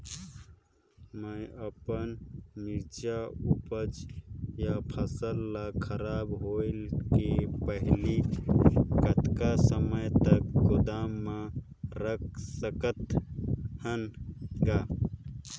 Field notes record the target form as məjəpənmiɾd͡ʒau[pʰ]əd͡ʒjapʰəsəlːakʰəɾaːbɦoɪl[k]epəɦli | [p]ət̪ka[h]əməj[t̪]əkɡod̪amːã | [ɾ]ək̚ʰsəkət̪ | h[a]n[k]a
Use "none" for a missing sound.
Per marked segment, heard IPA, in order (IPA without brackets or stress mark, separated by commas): p, k, k, s, t̪, ɾ, ə, ɡ